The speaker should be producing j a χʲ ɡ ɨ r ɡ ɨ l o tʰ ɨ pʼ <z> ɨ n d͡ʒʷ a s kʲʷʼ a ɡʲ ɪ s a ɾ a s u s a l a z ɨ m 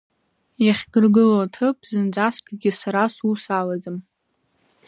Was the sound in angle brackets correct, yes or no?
yes